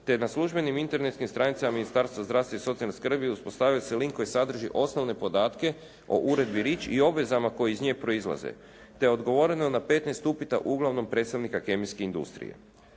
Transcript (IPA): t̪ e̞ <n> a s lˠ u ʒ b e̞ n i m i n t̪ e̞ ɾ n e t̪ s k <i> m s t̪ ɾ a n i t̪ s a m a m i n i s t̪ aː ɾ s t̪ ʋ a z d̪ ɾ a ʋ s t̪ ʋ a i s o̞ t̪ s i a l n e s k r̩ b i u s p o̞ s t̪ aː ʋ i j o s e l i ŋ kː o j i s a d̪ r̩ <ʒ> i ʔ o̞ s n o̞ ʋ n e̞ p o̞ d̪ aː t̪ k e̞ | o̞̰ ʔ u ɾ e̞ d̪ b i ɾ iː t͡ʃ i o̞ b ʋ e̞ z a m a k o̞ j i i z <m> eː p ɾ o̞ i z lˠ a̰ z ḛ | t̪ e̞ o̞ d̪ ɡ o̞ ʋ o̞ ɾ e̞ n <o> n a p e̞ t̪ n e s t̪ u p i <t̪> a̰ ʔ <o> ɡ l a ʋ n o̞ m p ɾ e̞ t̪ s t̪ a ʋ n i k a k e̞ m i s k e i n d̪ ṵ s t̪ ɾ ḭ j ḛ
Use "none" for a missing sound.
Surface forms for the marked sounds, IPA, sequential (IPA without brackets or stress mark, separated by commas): n, i, ʒ, ɲ, o, t̪, u